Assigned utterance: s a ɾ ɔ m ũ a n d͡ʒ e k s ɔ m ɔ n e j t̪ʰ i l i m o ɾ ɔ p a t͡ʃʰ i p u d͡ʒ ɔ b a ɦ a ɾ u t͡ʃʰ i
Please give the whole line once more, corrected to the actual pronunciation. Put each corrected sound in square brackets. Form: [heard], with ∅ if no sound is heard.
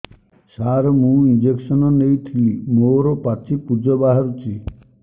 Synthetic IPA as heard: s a ɾ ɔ m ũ [i] n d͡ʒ e k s ɔ [n] ɔ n e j t̪ʰ i l i m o ɾ ɔ p a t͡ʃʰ i p u d͡ʒ ɔ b a ɦ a ɾ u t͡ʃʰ i